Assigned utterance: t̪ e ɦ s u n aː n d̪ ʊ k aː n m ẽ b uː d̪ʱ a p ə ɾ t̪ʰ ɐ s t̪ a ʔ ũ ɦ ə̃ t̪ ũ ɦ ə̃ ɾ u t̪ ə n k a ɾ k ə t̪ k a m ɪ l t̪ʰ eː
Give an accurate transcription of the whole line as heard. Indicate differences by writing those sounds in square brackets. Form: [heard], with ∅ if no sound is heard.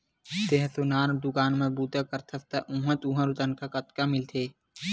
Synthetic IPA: t̪ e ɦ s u n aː n d̪ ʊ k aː n m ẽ b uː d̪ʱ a [k] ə ɾ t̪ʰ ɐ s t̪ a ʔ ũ ɦ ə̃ t̪ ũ ɦ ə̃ ɾ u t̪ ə n k a [∅] k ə t̪ k a m ɪ l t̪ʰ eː